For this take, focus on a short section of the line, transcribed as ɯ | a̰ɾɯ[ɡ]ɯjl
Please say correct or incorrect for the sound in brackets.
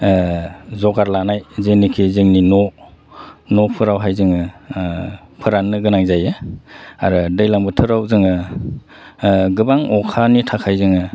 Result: incorrect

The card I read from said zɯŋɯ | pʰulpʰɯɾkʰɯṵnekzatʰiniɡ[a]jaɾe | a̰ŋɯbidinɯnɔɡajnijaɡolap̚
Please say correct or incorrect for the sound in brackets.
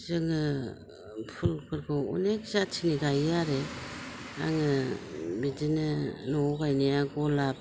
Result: correct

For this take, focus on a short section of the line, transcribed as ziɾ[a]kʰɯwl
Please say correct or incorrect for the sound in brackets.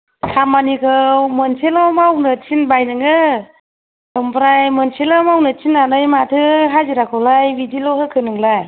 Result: correct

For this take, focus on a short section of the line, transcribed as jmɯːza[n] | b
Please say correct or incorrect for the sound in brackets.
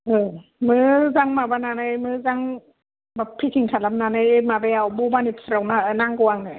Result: incorrect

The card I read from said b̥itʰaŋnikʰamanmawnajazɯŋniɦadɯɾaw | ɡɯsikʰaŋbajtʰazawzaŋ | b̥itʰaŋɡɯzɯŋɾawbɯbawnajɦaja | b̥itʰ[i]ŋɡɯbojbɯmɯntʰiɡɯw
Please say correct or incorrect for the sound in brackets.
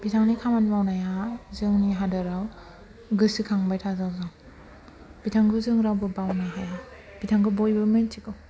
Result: incorrect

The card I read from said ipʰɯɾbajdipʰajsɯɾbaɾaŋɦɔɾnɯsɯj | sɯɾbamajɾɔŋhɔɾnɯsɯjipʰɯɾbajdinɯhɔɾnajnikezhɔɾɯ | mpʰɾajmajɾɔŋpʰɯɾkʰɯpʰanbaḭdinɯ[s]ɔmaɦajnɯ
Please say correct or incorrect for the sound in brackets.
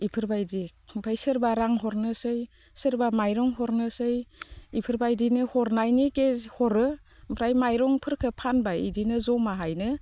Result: incorrect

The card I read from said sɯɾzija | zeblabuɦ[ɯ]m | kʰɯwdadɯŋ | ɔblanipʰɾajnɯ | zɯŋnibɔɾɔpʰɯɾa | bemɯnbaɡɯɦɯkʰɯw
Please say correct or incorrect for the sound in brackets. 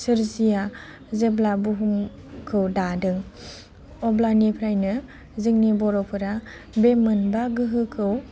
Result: incorrect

